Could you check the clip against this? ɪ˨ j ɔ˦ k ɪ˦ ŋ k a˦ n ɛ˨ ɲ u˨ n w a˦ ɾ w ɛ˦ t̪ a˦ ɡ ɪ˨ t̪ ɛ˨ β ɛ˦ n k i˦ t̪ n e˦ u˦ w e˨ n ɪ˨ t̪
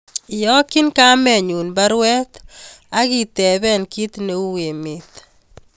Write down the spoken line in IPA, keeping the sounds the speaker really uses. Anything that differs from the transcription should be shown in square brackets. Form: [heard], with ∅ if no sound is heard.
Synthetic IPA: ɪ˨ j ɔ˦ k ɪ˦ [n] k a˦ [m] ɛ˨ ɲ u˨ n [b] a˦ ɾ w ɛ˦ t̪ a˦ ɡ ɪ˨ t̪ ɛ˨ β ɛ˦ n k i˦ t̪ n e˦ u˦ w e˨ [m] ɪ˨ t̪